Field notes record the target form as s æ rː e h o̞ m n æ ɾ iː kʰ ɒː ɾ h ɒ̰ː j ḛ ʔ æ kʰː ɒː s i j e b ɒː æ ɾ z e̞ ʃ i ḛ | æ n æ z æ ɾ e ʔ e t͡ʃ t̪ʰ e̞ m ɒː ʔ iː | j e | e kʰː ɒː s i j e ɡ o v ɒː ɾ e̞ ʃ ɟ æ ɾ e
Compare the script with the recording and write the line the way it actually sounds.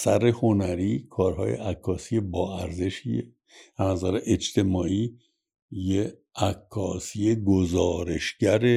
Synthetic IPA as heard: s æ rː e h o̞ n æ ɾ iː kʰ ɒː ɾ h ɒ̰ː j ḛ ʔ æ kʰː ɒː s i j e b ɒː æ ɾ z e̞ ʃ i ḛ | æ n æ z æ ɾ e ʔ e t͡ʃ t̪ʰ e̞ m ɒː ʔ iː | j e | æ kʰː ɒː s i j e ɡ o z ɒː ɾ e̞ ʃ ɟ æ ɾ e